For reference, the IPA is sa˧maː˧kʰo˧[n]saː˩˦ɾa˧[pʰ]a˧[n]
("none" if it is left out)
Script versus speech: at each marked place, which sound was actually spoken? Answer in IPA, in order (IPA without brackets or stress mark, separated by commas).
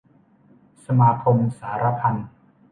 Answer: m, pʰ, n